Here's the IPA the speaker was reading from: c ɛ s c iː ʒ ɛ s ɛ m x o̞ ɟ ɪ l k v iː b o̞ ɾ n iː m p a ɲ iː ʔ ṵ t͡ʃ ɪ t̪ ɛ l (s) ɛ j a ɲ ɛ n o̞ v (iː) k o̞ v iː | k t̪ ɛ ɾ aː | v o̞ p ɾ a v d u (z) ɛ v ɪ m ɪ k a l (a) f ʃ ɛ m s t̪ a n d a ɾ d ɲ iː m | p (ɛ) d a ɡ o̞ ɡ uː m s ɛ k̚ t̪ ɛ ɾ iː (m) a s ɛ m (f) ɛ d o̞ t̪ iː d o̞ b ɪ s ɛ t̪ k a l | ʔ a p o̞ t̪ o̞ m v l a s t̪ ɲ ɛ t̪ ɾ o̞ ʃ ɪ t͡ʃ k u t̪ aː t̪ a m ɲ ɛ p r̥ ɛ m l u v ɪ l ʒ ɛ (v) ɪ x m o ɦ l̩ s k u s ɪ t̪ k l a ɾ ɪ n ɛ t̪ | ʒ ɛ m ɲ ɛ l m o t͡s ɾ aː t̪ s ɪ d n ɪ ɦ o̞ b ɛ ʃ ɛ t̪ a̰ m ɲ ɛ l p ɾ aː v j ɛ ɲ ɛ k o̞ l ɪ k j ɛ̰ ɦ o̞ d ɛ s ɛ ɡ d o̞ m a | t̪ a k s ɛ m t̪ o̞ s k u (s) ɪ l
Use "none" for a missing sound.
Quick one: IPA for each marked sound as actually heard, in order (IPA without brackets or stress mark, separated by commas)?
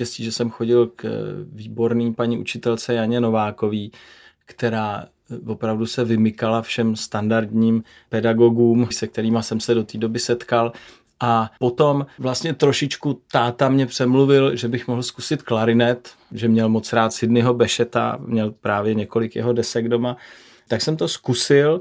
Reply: t͡s, aː, s, a, ɛ, m, s, b, s